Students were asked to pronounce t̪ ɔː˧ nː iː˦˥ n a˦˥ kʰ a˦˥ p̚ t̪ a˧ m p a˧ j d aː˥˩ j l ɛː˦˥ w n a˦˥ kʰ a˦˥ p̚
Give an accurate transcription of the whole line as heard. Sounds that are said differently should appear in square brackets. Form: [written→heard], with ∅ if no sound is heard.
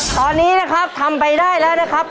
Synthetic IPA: t̪ ɔː˧ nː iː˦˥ n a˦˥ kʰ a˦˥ p̚ [t̪→t̪ʰ] a˧ m p a˧ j d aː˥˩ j l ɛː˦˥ w n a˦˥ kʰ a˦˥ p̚